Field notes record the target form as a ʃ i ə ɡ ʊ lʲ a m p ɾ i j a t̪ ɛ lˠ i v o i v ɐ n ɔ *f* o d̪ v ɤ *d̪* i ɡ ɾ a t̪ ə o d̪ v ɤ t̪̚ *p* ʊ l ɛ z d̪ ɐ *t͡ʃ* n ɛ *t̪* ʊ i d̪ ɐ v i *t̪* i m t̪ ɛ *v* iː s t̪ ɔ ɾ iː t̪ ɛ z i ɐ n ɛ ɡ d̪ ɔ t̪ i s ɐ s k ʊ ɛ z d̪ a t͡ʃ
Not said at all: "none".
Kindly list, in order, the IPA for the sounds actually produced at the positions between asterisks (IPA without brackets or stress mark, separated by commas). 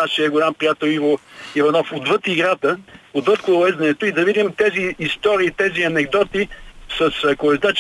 f, t̪, k, none, t̪, d̪, z